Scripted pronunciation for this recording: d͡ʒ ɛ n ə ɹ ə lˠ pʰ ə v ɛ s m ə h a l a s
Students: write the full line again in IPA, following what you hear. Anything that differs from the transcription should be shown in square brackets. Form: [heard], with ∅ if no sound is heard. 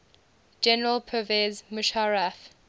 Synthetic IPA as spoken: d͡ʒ ɛ n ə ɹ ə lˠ pʰ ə v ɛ [z] m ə [ʃ] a [ɹ] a [f]